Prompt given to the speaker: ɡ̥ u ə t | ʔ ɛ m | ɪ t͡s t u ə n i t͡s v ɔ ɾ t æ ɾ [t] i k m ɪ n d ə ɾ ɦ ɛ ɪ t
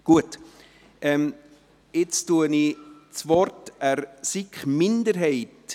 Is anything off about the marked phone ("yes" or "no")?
yes